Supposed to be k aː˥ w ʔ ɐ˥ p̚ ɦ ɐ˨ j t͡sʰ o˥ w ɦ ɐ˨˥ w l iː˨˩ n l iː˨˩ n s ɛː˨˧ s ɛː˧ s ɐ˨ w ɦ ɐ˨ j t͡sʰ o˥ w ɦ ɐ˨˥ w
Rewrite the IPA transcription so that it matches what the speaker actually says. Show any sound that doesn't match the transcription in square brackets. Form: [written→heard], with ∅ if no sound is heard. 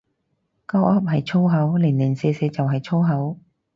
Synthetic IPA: k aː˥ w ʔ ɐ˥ p̚ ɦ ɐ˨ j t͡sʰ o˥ w ɦ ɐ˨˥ w l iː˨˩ n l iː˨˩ n s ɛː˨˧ s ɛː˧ [s→t͡s] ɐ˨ w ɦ ɐ˨ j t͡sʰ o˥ w ɦ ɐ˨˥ w